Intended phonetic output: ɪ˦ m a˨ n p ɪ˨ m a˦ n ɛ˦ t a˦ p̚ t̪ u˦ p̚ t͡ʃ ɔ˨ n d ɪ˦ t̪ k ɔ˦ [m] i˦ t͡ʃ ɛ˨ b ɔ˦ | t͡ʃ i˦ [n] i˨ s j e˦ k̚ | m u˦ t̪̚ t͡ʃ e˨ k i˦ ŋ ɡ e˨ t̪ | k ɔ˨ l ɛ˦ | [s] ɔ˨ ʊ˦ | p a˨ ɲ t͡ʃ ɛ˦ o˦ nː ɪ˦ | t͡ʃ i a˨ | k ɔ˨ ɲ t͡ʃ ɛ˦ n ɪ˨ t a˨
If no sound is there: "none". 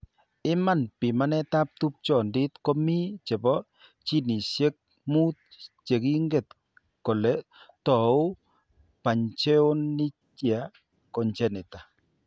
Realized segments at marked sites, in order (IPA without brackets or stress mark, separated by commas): m, n, t